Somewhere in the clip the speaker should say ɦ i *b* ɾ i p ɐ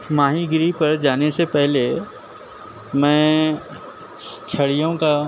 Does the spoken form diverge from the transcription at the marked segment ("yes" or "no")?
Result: yes